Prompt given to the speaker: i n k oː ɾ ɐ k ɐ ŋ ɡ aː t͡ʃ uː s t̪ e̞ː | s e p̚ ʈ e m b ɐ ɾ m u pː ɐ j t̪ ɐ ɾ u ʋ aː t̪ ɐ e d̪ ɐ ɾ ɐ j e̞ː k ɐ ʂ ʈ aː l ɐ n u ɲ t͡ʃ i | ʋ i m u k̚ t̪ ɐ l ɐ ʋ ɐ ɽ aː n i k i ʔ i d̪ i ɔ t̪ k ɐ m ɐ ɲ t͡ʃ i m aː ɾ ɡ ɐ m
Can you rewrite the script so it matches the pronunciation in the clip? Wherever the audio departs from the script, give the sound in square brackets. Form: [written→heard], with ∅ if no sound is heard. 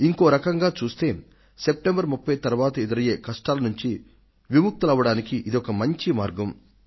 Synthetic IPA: i [n→ŋ] k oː ɾ ɐ k ɐ ŋ ɡ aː t͡ʃ uː s t̪ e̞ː | s e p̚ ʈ e m b ɐ ɾ m u pː ɐ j t̪ ɐ ɾ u ʋ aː t̪ ɐ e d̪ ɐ ɾ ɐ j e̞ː k ɐ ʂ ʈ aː l ɐ n u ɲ t͡ʃ i | ʋ i m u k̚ t̪ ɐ l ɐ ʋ ɐ ɽ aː n i k i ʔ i d̪ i ɔ [t̪→∅] k ɐ m ɐ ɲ t͡ʃ i m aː ɾ ɡ ɐ m